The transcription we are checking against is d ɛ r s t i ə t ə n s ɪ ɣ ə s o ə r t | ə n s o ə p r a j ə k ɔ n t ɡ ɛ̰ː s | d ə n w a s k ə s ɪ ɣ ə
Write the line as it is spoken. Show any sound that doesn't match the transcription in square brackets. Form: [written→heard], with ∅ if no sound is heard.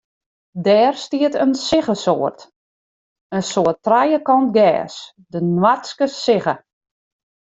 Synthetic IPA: d [ɛ→ɛː] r s t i ə t ə n s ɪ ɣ ə s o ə r t | ə n s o ə [p→t] r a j ə k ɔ n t ɡ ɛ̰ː s | d ə n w a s k ə s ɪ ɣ ə